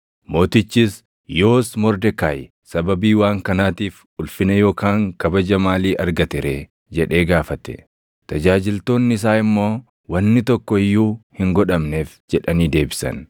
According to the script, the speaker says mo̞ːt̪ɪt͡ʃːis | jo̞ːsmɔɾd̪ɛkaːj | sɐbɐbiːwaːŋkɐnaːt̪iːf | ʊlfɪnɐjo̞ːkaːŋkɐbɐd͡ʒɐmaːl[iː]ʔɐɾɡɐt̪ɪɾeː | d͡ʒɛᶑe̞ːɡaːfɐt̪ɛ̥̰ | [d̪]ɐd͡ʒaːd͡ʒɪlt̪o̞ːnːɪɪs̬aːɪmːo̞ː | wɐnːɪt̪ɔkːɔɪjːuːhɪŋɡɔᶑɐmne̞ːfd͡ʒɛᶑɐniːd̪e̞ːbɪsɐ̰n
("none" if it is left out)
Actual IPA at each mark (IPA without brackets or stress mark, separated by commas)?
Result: iː, t̪